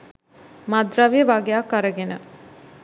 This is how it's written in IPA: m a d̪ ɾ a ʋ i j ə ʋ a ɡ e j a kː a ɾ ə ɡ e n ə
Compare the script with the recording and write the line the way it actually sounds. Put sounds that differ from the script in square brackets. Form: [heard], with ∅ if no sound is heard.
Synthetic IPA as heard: m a d̪ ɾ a ʋ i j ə ʋ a ɡ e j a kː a ɾ ə ɡ e n ə